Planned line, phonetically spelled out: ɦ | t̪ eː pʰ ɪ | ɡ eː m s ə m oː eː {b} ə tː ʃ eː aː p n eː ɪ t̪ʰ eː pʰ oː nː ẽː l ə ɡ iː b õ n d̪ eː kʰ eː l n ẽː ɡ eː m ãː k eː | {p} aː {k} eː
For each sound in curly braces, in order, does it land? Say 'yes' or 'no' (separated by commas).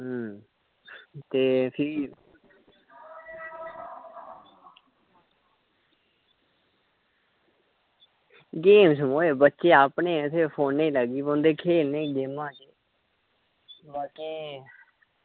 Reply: yes, no, yes